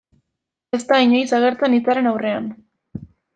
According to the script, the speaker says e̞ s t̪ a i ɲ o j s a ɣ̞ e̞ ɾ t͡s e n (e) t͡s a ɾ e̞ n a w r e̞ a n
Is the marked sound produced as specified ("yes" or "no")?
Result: no